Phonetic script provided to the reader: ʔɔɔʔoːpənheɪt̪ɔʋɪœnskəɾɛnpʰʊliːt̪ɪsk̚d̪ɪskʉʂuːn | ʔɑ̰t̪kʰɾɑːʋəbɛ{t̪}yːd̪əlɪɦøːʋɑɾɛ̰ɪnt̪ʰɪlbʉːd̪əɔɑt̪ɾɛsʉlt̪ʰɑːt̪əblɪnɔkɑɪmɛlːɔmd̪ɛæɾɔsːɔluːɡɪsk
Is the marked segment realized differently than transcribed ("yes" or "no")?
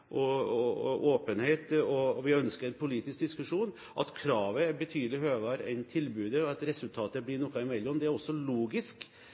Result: yes